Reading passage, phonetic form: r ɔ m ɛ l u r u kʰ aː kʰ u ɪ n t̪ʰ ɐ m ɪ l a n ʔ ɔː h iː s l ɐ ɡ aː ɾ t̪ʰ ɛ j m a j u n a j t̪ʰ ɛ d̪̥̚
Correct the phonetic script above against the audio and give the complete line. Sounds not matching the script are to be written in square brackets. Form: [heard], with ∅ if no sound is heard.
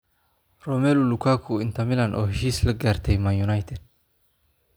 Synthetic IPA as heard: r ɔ m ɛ l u [l] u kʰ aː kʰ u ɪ n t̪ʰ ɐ m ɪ l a n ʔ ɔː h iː s l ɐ ɡ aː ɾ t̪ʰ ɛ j m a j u n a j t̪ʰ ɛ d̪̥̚